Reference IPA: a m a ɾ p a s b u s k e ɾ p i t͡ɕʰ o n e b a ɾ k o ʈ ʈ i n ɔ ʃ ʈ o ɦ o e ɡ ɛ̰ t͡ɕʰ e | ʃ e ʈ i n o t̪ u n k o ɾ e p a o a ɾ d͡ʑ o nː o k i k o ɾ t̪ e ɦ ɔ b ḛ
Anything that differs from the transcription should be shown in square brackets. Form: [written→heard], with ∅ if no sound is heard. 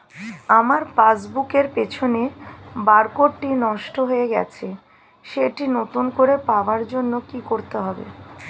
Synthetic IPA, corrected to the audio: a m a ɾ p a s b u [s→∅] k e ɾ p [i→e] t͡ɕʰ o n e b a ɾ k o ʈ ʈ i n ɔ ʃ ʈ o ɦ o e ɡ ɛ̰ t͡ɕʰ e | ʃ e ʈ i n o t̪ u n k o ɾ e p a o a ɾ d͡ʑ o nː o k i k o ɾ t̪ e ɦ ɔ b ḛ